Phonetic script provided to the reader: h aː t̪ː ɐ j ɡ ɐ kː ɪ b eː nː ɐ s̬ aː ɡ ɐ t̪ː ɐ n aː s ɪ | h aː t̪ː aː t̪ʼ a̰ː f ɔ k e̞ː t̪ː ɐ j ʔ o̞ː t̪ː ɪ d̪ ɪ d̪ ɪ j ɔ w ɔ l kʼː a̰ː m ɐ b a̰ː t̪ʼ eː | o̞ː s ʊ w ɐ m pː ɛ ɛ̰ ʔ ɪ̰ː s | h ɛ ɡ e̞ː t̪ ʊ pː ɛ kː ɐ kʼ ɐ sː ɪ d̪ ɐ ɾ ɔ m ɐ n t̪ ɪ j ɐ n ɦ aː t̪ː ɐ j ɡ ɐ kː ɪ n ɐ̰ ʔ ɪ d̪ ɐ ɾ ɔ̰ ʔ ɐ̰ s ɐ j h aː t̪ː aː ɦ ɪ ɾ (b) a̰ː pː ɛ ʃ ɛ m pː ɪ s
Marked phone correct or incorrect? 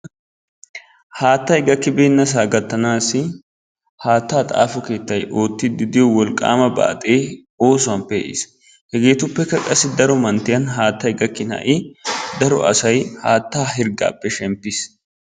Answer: incorrect